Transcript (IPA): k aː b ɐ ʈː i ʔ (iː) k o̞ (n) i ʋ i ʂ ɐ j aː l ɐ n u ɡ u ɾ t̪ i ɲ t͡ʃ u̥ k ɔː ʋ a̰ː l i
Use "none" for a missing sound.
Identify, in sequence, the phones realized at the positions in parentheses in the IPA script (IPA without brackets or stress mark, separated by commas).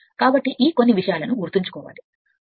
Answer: iː, nː